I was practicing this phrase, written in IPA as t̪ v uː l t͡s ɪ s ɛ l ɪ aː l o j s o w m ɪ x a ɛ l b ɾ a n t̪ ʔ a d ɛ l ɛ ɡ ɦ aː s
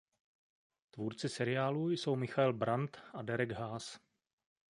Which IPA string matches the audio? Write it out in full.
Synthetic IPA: t̪ v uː ɾ t͡s ɪ s ɛ ɾ ɪ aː l u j s o w m ɪ x a ɛ l b ɾ a n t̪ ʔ a d ɛ ɾ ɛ ɡ ɦ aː s